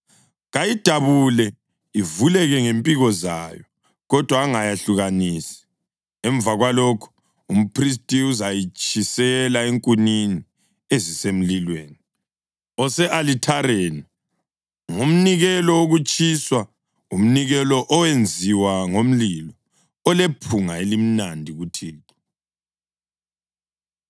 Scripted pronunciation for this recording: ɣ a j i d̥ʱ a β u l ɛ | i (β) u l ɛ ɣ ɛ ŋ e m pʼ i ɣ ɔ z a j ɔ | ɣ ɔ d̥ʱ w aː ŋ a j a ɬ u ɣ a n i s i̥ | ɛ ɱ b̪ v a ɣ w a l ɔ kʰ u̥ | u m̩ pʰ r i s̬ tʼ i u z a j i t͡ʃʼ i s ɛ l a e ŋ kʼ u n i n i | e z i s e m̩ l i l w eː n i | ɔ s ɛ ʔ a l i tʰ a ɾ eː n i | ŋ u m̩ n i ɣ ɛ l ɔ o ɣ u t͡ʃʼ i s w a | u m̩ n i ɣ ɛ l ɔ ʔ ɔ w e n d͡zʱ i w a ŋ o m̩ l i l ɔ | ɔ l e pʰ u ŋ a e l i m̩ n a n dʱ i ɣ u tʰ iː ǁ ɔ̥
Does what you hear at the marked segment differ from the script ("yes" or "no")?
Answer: yes